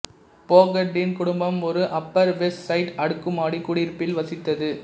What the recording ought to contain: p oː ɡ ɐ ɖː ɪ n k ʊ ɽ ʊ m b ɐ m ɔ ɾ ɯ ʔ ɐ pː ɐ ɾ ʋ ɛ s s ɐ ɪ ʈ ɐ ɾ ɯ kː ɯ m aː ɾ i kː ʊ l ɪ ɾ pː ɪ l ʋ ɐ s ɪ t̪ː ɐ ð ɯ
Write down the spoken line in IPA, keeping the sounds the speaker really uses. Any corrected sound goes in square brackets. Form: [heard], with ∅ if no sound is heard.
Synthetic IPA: p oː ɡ ɐ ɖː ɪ n k ʊ ɽ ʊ m b ɐ m ɔ ɾ ɯ ʔ ɐ pː ɐ ɾ ʋ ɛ s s ɐ ɪ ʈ ɐ [ɽ] ɯ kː ɯ m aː [ɽ] i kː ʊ [ɽ] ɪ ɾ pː ɪ l ʋ ɐ s ɪ t̪ː ɐ ð ɯ

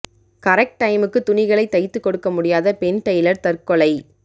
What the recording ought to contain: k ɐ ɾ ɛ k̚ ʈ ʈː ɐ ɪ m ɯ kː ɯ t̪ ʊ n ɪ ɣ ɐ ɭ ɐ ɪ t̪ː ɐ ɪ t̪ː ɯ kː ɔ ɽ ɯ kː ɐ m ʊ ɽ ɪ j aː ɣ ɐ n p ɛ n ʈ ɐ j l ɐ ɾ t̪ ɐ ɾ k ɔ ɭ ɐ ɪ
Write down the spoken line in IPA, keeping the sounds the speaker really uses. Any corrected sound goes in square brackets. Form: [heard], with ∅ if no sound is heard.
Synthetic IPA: k ɐ ɾ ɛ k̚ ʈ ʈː ɐ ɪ m ɯ kː ɯ t̪ ʊ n ɪ ɣ ɐ ɭ ɐ ɪ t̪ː ɐ ɪ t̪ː ɯ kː ɔ ɽ ɯ kː ɐ m ʊ ɽ ɪ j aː [ð] ɐ [∅] p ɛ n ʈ ɐ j l ɐ ɾ t̪ ɐ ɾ k ɔ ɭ ɐ ɪ

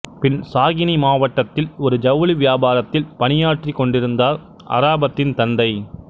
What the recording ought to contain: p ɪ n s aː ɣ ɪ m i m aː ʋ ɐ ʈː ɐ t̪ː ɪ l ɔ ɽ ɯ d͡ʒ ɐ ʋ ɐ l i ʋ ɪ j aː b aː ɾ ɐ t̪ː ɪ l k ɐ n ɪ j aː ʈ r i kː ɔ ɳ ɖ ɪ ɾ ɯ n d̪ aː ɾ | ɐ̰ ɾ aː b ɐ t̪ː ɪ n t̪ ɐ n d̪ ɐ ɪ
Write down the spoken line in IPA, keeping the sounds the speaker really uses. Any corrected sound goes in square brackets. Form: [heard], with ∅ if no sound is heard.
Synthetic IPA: p ɪ n s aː ɣ ɪ [n] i m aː ʋ ɐ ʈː ɐ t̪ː ɪ l ɔ [ɾ] ɯ d͡ʒ ɐ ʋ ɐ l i ʋ ɪ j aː b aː ɾ ɐ t̪ː ɪ l [p] ɐ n ɪ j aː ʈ r i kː ɔ ɳ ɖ ɪ ɾ ɯ n d̪ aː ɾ | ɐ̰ ɾ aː b ɐ t̪ː ɪ n t̪ ɐ n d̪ ɐ ɪ

